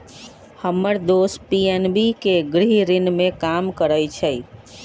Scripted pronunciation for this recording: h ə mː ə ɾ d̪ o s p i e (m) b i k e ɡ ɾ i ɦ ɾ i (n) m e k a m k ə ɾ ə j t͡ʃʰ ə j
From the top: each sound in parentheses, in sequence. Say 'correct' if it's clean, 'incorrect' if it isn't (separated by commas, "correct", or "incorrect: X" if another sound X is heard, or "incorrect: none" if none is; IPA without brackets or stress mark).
incorrect: n, correct